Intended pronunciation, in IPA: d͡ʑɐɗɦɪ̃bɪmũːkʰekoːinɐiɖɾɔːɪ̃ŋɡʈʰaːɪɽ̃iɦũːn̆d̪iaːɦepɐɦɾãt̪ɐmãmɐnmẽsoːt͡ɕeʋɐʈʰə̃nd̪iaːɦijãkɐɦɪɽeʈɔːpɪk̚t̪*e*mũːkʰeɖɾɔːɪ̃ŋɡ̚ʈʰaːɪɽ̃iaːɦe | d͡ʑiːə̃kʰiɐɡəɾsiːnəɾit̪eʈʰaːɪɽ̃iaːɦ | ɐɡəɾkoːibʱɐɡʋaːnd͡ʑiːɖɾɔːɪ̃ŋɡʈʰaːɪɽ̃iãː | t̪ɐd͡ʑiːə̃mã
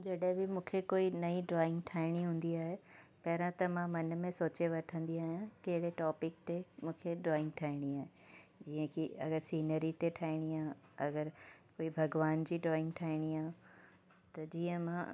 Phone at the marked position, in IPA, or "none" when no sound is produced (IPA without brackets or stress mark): e